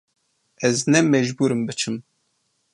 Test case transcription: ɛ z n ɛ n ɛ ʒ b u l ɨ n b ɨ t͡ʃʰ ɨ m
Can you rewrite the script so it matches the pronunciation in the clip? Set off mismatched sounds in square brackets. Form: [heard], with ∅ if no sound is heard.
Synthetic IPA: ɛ z n ɛ [m] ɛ ʒ b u [ɾ] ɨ [m] b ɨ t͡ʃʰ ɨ m